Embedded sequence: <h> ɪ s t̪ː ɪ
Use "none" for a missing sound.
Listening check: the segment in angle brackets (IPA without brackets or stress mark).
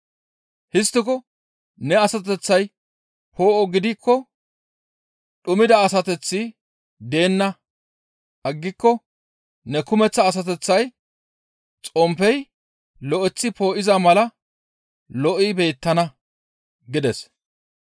h